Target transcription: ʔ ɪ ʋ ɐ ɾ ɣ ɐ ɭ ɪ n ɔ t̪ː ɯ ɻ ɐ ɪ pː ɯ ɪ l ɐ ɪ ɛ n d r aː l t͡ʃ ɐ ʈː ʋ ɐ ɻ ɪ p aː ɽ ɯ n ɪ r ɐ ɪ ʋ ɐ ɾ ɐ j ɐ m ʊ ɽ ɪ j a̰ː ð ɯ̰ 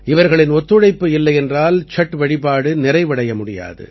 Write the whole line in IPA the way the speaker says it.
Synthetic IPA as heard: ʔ ɪ ʋ ɐ ɾ ɣ ɐ ɭ ɪ n ɔ t̪ː ɯ ɻ ɐ ɪ pː ɯ ɪ lː ɐ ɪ ɛ n d r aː l t͡ʃ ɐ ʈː ʋ ɐ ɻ ɪ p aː ɽ ɯ n ɪ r ɐ ɪ ʋ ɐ ɽ ɐ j ɐ m ʊ ɽ ɪ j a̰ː ð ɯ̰